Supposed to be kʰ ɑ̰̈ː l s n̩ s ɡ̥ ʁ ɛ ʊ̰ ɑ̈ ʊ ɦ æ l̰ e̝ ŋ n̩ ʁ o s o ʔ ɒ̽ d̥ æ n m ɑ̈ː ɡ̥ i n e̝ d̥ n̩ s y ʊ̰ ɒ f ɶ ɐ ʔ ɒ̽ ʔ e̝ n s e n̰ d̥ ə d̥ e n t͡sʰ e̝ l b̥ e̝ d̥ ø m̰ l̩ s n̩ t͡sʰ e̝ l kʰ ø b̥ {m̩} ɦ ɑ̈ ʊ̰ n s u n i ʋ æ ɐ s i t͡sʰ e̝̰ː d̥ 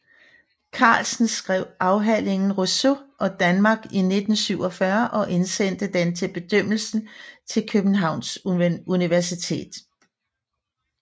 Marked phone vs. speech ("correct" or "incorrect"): incorrect